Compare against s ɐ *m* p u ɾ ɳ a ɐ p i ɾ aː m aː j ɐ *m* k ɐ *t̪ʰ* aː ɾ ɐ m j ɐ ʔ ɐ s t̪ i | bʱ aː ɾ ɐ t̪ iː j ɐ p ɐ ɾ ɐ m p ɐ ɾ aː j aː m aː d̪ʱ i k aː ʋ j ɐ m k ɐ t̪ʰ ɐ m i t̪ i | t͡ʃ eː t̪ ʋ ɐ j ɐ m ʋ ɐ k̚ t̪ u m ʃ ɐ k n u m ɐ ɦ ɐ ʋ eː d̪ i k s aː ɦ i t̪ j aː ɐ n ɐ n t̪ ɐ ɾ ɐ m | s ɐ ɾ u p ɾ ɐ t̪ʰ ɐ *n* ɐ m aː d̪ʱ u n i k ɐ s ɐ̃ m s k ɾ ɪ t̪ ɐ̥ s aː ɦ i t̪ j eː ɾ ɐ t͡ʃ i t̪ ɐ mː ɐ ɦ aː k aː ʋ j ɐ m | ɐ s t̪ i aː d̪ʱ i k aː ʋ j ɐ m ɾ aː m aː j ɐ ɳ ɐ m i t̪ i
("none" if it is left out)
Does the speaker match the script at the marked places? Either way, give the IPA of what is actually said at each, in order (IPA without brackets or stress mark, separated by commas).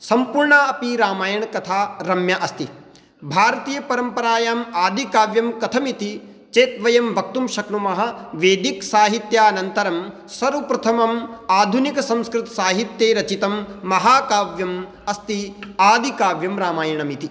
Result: m, ɳ, t̪ʰ, m